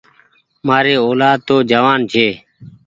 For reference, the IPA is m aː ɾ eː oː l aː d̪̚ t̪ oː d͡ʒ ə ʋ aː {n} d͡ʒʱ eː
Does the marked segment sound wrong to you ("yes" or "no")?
no